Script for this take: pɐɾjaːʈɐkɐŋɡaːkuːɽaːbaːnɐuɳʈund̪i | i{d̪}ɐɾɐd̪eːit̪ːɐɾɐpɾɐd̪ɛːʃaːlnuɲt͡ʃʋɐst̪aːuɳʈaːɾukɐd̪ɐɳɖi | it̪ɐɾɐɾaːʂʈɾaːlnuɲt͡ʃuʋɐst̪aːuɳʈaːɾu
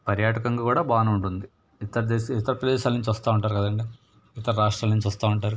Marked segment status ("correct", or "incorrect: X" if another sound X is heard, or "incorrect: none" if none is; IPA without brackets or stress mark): incorrect: t̪